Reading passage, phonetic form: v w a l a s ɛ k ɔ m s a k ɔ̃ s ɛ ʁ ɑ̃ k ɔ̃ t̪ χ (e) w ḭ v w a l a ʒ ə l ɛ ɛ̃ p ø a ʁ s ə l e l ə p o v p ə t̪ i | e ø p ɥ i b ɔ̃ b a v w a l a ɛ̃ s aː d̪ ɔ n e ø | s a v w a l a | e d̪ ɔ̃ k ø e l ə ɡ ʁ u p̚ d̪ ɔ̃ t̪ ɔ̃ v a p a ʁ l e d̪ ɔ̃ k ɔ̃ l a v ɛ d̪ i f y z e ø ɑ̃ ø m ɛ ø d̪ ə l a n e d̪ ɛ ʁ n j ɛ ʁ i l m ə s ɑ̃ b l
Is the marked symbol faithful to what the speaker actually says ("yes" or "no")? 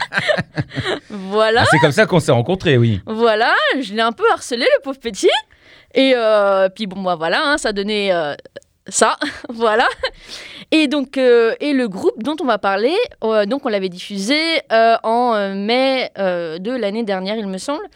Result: yes